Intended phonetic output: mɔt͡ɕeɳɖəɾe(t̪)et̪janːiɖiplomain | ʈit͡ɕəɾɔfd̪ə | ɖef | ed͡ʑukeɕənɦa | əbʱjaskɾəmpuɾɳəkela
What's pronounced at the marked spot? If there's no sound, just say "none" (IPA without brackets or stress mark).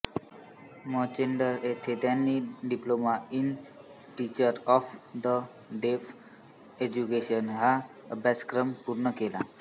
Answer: t̪ʰ